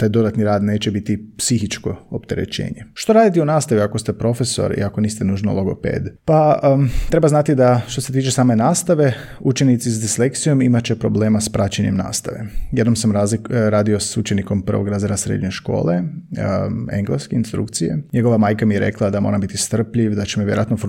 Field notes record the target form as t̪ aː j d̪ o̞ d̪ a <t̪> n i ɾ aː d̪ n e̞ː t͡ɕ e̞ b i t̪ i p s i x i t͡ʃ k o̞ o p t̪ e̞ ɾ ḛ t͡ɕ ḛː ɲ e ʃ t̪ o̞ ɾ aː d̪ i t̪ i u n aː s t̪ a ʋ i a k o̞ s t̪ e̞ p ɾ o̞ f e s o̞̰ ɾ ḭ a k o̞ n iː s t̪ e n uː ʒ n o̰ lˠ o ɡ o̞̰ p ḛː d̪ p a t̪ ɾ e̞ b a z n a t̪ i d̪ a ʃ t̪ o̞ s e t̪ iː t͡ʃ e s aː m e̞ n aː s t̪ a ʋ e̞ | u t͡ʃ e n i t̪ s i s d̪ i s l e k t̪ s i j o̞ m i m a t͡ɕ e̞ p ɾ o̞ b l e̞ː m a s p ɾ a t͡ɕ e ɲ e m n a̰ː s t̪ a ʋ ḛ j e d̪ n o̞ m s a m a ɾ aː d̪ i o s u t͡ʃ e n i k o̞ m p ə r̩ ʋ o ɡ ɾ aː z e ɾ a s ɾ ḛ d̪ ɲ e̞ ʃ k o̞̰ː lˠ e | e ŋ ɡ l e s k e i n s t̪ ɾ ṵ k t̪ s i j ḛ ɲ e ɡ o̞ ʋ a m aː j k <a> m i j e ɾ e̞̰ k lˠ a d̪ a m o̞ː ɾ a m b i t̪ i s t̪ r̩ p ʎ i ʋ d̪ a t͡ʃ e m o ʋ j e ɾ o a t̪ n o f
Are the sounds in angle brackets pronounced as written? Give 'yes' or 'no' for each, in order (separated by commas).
yes, yes